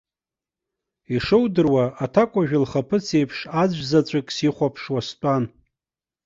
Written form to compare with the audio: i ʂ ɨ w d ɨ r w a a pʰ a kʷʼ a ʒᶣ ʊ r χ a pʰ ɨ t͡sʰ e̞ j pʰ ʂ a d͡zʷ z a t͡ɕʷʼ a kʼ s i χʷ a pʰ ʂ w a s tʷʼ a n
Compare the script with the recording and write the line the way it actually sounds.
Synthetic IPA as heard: i ʂ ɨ w d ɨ r w a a tʰ a kʷʼ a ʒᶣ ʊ l χ a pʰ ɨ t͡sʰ e̞ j pʰ ʂ a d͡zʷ z a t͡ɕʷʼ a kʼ s i χʷ a pʰ ʂ w a s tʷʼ a n